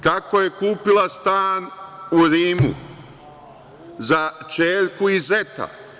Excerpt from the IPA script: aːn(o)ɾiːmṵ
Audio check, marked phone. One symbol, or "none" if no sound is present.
u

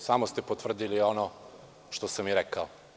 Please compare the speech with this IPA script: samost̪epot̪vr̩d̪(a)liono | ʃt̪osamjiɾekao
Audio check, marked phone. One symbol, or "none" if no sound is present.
i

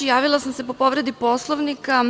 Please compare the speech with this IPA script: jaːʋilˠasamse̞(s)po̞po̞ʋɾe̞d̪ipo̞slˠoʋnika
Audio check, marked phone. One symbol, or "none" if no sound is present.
none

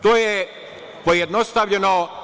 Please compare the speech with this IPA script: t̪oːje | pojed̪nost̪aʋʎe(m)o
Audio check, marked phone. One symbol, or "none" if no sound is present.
n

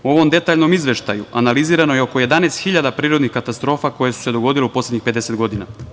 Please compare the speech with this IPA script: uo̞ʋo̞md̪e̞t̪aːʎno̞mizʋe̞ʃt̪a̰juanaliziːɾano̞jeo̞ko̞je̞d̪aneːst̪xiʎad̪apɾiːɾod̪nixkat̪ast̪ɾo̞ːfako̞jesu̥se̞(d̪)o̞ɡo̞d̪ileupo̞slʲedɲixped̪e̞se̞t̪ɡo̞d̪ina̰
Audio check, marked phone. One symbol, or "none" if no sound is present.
d̪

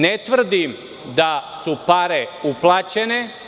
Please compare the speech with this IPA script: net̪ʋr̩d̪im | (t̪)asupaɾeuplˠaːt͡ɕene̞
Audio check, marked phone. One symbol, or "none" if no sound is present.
d̪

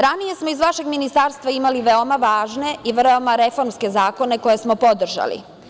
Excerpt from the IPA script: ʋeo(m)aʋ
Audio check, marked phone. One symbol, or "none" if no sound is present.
m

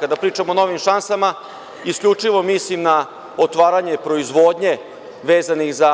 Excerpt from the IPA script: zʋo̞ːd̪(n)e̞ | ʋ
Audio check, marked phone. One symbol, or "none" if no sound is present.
ɲ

